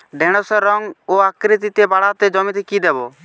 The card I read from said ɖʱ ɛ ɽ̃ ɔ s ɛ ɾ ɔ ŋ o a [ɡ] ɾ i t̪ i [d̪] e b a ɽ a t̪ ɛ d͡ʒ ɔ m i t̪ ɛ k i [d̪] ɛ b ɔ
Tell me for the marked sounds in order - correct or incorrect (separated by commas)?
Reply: incorrect, incorrect, correct